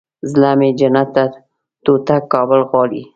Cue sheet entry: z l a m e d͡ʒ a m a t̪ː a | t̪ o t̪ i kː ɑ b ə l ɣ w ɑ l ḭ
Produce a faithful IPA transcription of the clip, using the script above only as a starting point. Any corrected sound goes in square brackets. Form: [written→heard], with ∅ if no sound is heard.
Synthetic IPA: z l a m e d͡ʒ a [m→n] a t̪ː a | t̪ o t̪ [i→a] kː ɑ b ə l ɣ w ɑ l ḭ